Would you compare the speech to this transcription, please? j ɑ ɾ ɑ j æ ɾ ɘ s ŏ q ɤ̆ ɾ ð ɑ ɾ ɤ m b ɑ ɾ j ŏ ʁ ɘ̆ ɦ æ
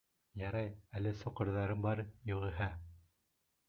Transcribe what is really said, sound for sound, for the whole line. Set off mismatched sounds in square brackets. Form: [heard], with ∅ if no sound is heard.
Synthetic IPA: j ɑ ɾ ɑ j æ [l] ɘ s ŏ q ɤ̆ ɾ ð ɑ ɾ ɤ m b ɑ ɾ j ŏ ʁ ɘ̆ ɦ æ